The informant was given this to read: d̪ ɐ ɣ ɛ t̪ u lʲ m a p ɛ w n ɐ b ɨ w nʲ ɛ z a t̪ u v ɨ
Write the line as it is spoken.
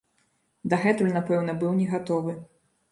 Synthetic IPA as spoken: d̪ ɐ ɣ ɛ t̪ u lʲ n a p ɛ w n ɐ b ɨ w nʲ ɛ ɣ a t̪ ɔ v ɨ